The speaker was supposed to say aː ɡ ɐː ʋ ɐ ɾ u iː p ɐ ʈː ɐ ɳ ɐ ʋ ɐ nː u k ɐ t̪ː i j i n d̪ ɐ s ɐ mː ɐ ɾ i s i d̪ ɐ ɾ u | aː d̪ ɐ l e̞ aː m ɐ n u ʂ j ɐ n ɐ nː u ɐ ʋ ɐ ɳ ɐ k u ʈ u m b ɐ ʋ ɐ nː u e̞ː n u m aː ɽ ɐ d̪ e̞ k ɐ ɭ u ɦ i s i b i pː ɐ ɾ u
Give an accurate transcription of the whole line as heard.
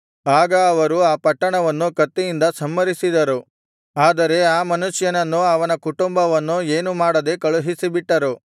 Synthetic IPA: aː ɡ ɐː ʋ ɐ ɾ u aː p ɐ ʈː ɐ ɳ ɐ ʋ ɐ nː u k ɐ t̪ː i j i n d̪ ɐ s ɐ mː ɐ ɾ i s i d̪ ɐ ɾ u | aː d̪ ɐ ɾ e̞ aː m ɐ n u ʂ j ɐ n ɐ nː u ɐ ʋ ɐ n ɐ k u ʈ u m b ɐ ʋ ɐ nː u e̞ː n u m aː ɽ ɐ d̪ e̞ k ɐ ɭ u ɦ i s i b i ʈː ɐ ɾ u